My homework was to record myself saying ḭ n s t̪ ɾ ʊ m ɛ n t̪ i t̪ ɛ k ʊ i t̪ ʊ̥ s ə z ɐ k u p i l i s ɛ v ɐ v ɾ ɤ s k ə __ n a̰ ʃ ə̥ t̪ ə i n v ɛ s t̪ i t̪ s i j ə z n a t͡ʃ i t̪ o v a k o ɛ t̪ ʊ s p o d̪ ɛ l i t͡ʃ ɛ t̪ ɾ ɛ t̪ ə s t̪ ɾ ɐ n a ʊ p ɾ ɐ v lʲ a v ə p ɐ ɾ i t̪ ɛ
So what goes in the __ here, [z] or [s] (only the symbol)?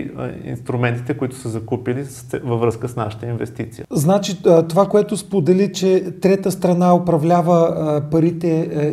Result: s